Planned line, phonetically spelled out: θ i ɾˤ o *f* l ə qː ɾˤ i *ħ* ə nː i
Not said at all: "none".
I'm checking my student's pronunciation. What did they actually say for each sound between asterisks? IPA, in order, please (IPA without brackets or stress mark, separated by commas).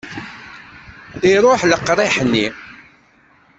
ħ, ħ